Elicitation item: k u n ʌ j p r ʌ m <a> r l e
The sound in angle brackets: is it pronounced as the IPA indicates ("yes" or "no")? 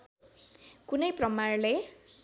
yes